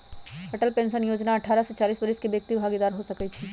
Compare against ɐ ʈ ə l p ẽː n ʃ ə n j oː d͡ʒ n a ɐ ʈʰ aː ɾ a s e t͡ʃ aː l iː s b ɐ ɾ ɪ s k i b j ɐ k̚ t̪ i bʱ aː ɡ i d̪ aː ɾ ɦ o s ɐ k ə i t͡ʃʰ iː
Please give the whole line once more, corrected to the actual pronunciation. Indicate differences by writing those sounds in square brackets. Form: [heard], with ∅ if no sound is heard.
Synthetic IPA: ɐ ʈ ə l p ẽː n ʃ ə n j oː d͡ʒ n a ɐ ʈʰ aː ɾ a s e t͡ʃ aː l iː s b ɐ ɾ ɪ s k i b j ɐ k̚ t̪ i bʱ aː ɡ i d̪ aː ɾ ɦ o s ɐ k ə i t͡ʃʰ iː